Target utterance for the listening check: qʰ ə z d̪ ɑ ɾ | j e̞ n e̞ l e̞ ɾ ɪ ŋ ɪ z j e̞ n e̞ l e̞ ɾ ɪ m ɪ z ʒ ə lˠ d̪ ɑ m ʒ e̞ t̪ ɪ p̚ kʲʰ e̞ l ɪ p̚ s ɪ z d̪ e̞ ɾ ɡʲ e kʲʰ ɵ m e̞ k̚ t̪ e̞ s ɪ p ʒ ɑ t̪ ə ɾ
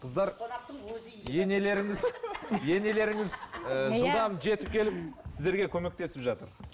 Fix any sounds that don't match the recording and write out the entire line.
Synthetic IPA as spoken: qʰ ə z d̪ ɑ ɾ | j e̞ n e̞ l e̞ ɾ ɪ ŋ ɪ z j e̞ n e̞ l e̞ ɾ ɪ ŋ ɪ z ʒ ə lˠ d̪ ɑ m ʒ e̞ t̪ ɪ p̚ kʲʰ e̞ l ɪ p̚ s ɪ z d̪ e̞ ɾ ɡʲ e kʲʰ ɵ m e̞ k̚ t̪ e̞ s ɪ p ʒ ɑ t̪ ə ɾ